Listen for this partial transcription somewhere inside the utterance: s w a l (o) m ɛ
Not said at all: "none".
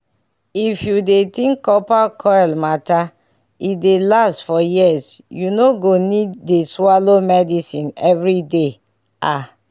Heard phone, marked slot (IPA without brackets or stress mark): o